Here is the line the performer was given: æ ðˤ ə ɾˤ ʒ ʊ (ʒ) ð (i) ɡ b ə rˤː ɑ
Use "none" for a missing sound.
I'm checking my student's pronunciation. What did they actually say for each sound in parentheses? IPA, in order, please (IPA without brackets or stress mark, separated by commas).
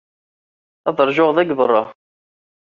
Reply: ʁ, æ